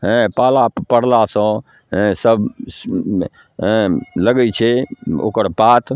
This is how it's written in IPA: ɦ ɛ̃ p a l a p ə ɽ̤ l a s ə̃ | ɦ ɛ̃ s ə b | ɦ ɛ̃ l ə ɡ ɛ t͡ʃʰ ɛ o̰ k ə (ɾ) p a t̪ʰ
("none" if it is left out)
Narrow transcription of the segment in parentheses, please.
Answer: ɾ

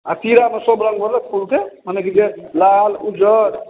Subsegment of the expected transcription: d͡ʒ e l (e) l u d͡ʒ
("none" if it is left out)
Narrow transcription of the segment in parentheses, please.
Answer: a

